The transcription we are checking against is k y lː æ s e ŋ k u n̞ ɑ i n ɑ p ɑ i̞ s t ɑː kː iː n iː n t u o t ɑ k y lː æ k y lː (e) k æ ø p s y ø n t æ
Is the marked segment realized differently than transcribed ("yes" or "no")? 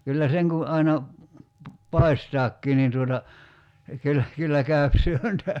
yes